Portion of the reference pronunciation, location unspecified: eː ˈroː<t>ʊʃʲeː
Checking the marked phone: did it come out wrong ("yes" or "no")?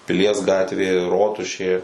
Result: no